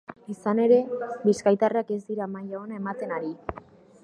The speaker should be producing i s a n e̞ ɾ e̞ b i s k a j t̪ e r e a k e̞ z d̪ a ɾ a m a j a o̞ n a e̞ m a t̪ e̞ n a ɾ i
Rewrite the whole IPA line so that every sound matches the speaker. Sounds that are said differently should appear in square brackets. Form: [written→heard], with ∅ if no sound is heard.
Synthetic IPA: i s a n e̞ ɾ e̞ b i s k a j t̪ [e→a] r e a k e̞ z d̪ [a→i] ɾ a m a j a o̞ n a e̞ m a t̪ e̞ n a ɾ i